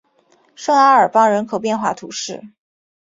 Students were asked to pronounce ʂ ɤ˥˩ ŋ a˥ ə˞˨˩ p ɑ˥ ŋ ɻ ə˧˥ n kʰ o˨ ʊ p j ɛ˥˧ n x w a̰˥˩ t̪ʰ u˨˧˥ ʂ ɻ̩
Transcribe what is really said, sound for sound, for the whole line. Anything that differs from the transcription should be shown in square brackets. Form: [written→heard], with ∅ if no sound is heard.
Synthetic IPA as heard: ʂ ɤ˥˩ ŋ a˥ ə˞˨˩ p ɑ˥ ŋ ɻ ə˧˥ n kʰ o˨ ʊ p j ɛ˥˧ n x w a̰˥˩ t̪ʰ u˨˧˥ ʂ ɻ̩